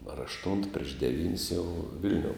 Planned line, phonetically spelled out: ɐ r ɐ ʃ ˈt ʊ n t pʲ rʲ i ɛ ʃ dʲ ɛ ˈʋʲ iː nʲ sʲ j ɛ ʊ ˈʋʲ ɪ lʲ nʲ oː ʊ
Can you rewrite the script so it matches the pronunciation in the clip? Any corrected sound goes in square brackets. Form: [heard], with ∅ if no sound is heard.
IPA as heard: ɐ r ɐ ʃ ˈt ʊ n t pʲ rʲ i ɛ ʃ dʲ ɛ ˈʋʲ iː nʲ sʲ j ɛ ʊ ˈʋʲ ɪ lʲ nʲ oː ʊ